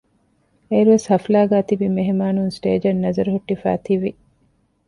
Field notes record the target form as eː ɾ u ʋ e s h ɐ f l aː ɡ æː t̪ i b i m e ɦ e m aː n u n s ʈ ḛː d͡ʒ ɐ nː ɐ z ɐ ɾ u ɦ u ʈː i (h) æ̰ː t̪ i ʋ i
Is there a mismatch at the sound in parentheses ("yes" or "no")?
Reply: yes